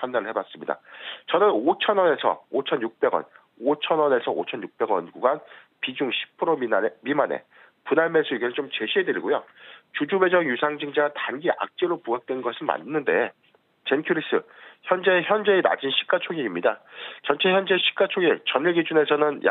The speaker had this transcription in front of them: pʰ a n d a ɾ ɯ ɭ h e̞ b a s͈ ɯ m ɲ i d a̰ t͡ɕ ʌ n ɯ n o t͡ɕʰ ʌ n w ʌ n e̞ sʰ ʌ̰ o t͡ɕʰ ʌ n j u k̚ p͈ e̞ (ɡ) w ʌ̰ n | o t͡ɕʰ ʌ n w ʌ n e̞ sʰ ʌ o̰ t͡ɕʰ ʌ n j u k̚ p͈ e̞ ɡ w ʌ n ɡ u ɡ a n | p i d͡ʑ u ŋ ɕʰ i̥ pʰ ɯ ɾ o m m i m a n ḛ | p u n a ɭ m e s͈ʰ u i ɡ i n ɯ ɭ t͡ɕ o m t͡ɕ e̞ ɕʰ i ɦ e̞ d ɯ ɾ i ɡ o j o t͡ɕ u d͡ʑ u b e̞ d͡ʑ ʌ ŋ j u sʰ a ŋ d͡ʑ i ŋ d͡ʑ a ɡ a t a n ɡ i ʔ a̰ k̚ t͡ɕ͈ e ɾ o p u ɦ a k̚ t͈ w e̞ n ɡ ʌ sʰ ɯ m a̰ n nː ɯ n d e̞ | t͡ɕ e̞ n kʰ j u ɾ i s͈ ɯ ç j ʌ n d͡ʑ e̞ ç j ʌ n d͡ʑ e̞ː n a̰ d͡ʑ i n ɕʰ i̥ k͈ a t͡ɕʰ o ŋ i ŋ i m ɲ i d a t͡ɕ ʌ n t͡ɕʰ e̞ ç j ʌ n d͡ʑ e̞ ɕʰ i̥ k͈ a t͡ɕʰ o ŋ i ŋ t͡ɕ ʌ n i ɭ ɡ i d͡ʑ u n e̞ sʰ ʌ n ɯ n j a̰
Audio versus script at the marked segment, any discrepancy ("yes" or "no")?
no